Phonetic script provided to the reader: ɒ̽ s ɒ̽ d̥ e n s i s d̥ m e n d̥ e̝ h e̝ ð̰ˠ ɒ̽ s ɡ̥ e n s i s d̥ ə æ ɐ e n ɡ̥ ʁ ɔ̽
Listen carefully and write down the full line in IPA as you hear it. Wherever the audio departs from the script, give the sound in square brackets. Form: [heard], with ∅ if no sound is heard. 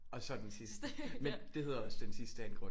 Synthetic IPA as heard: ɒ̽ s ɒ̽ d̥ e n s i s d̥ m e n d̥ e̝ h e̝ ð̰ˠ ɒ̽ s [d̥] e n s i s d̥ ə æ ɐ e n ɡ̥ ʁ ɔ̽

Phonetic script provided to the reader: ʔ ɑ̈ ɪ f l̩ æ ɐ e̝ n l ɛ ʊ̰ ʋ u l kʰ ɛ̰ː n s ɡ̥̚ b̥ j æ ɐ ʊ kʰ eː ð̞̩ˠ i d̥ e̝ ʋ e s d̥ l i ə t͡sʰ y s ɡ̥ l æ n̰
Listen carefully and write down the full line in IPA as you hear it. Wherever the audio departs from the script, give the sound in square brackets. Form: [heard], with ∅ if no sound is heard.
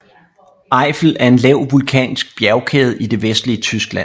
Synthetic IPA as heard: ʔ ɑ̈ ɪ f l̩ æ ɐ e̝ n l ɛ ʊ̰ ʋ u l kʰ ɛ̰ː n s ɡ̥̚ b̥ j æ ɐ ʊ kʰ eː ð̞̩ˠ i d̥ e̝ ʋ e s d̥ l i ə t͡sʰ y s ɡ̥ l æ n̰

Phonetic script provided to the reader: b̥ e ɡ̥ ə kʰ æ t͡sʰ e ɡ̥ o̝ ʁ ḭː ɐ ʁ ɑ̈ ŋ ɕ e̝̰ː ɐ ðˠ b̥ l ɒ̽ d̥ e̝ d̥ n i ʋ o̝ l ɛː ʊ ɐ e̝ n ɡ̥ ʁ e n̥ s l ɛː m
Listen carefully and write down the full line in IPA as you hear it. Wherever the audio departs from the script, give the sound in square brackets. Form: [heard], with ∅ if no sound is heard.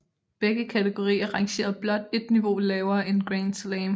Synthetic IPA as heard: b̥ e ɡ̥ ə kʰ æ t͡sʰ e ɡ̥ o̝ ʁ ḭː ɐ ʁ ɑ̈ ŋ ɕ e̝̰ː ɐ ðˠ b̥ l ɒ̽ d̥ e̝ d̥ n i ʋ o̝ l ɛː ʊ ɐ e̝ n ɡ̥ ʁ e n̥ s l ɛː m

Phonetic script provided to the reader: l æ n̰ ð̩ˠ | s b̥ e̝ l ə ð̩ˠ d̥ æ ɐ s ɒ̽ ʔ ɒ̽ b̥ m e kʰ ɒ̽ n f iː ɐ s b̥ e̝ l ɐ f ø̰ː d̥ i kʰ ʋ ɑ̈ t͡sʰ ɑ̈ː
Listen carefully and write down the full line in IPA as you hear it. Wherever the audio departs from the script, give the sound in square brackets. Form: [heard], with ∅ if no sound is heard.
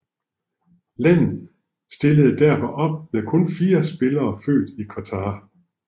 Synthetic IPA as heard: l æ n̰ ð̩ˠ | s [d̥] e̝ l ə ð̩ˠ d̥ æ ɐ [f] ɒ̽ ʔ ɒ̽ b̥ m e kʰ [ɔ̽] n f iː ɐ s b̥ e̝ l [ɐː] f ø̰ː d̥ i kʰ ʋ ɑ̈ t͡sʰ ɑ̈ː

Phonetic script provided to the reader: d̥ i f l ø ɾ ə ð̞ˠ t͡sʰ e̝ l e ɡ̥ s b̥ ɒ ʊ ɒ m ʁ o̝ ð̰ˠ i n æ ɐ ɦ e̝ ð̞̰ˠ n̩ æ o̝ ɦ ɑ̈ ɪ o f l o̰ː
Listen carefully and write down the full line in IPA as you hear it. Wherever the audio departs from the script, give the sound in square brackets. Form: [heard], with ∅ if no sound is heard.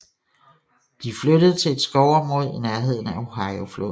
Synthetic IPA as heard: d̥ i f l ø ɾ ə ð̞ˠ t͡sʰ e̝ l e [d̥] s [ɡ̥] ɒ ʊ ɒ m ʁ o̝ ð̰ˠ i n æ ɐ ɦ e̝ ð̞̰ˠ n̩ æ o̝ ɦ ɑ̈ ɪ o f l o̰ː

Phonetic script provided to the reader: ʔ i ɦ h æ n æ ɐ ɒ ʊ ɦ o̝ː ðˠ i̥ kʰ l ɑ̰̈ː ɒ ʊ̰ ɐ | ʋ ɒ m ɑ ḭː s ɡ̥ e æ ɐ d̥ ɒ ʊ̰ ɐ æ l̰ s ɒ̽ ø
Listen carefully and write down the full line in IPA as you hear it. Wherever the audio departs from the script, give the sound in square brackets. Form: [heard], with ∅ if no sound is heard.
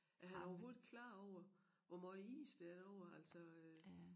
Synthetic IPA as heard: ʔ [æ] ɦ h æ n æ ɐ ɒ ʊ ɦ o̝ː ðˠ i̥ kʰ l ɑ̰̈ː ɒ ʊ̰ ɐ | ʋ ɒ m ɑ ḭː s [d̥] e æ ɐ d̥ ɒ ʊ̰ ɐ æ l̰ s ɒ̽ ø

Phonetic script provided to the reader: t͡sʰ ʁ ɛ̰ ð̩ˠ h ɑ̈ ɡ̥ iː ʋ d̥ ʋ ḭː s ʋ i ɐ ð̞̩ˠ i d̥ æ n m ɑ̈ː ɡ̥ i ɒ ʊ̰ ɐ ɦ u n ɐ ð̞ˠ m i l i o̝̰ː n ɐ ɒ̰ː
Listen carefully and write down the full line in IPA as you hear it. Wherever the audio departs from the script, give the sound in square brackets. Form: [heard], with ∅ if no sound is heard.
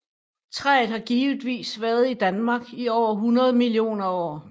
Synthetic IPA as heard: t͡sʰ ʁ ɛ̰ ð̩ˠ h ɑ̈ ɡ̥ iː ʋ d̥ ʋ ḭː s ʋ [æ] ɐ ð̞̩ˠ i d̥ æ n m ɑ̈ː ɡ̥ i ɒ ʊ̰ ɐ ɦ u n ɐ ð̞ˠ m i l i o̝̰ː n ɐ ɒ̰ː

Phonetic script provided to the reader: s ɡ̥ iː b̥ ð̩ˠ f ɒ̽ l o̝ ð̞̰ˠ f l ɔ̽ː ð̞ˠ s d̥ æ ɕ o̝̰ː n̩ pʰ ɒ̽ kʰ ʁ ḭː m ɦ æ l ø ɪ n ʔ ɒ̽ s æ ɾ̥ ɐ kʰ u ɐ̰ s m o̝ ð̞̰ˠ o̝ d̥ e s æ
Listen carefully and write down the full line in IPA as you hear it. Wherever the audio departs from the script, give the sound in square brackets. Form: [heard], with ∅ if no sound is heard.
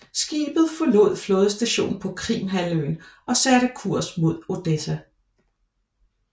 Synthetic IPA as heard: s ɡ̥ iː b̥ ð̩ˠ f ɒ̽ l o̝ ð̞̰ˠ f l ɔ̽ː ð̞ˠ s d̥ æ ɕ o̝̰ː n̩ pʰ ɒ̽ kʰ ʁ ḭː m ɦ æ l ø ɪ n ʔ ɒ̽ s æ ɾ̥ [ə] kʰ u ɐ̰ s m o̝ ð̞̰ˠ o̝ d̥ e s æ

